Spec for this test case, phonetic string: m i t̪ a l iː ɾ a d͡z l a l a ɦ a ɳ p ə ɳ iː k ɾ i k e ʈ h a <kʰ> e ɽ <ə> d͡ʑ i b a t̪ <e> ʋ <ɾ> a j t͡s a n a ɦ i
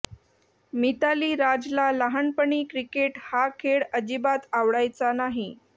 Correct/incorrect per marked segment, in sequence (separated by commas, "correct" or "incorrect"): correct, correct, incorrect, incorrect